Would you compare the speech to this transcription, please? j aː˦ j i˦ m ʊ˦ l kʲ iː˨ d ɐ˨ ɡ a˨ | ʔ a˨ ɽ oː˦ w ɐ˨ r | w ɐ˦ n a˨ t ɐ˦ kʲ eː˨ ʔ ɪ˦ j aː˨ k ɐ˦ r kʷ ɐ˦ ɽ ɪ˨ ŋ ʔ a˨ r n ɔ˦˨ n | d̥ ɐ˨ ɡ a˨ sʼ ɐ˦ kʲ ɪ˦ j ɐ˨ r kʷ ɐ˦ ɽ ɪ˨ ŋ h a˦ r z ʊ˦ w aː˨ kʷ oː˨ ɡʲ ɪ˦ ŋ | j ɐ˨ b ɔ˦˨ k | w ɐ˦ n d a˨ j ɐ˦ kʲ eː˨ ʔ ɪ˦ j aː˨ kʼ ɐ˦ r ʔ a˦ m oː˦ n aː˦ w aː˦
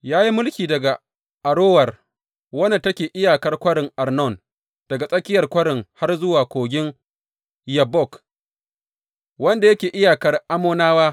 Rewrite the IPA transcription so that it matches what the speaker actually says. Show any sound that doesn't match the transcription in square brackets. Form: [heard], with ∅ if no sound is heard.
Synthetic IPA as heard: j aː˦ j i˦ m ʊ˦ l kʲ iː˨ d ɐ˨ ɡ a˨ | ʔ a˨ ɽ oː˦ w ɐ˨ r | w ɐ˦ n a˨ t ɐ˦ kʲ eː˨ ʔ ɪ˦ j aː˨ k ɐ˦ r kʷ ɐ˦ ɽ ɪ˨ ŋ ʔ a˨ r n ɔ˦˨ n | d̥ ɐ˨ ɡ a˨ sʼ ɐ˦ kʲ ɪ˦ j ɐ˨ r kʷ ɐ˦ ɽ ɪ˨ ŋ h a˦ r z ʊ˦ w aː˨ kʷ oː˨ ɡʲ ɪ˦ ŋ | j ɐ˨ b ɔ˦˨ k | w ɐ˦ n d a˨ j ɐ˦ kʲ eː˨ ʔ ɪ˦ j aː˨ [k] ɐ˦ r ʔ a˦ m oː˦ n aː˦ w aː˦